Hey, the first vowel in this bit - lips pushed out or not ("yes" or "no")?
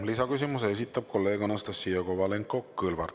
no